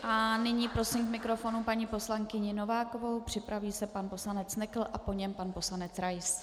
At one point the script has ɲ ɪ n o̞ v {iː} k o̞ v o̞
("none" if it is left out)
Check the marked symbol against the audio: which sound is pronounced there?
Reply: aː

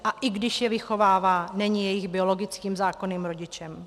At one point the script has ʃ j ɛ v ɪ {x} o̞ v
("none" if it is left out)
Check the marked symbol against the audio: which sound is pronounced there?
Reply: x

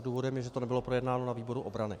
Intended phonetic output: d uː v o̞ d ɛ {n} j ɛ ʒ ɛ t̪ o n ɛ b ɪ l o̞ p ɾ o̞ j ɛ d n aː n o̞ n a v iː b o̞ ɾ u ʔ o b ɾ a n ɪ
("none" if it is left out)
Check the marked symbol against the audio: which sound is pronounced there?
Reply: m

